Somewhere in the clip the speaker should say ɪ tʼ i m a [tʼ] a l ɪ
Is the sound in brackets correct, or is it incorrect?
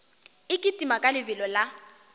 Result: incorrect